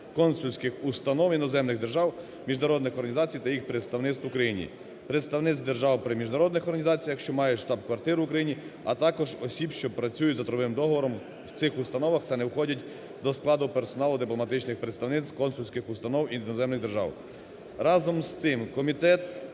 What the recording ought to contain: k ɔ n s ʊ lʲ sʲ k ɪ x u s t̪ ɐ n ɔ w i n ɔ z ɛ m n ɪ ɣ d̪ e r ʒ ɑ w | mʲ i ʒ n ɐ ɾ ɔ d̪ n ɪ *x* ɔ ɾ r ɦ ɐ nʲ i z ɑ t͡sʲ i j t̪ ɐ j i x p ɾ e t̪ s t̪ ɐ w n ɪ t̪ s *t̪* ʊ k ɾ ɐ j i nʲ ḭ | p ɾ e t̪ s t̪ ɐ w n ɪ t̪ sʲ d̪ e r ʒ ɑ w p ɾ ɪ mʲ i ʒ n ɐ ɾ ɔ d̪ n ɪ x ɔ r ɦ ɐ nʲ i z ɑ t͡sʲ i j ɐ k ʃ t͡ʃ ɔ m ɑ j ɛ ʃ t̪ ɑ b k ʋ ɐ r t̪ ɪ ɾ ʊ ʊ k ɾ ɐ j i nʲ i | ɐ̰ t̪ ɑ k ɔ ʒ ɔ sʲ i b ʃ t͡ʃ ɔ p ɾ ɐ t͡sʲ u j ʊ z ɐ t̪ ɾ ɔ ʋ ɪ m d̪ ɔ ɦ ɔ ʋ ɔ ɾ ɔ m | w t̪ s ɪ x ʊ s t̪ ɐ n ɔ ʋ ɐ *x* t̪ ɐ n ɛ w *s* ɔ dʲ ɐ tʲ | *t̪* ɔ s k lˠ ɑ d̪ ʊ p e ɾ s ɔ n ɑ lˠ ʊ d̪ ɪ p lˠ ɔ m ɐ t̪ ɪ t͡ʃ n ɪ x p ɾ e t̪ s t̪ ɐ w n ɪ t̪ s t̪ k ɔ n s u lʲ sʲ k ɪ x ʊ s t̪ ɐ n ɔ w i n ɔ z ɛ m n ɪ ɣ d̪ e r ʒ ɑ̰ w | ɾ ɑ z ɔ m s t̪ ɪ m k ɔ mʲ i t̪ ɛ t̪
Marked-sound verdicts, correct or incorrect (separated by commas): correct, correct, correct, incorrect, incorrect